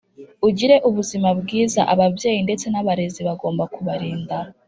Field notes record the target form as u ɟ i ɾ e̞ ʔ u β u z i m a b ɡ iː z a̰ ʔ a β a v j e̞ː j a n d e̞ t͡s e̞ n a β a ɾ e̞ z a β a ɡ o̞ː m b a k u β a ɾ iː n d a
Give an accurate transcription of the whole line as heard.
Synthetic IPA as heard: u ɟ i ɾ e̞ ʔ u β u z i m a b ɡ iː z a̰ ʔ a β a v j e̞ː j i n d e̞ t͡s e̞ n a β a ɾ e̞ z i β a ɡ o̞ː m b a k u β a ɾ iː n d a